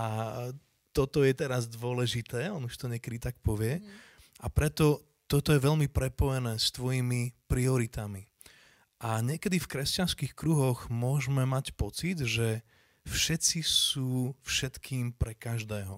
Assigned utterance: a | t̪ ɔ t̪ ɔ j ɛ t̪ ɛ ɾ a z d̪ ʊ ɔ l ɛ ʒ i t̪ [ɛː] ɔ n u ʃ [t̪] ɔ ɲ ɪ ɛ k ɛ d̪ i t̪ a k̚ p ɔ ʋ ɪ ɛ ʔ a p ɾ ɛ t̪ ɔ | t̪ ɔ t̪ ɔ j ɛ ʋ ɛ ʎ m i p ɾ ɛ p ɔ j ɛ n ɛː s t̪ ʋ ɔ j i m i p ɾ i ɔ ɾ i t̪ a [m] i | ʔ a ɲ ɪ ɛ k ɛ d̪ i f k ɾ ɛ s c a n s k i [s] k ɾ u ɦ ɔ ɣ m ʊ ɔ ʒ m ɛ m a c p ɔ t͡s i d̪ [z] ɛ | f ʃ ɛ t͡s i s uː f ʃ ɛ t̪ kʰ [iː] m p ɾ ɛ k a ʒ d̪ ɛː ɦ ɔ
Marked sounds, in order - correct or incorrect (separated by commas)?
correct, correct, correct, incorrect, incorrect, correct